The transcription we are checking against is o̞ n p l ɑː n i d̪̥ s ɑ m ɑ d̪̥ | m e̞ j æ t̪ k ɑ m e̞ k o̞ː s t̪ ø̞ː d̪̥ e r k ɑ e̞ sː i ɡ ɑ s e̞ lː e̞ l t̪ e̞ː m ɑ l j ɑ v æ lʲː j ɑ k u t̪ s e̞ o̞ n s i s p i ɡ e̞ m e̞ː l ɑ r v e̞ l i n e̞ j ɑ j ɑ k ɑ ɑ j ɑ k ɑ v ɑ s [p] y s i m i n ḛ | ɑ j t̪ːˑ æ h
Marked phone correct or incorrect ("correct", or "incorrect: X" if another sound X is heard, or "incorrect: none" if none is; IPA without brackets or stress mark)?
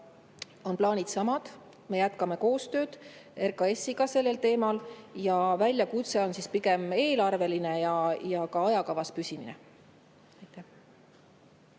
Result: correct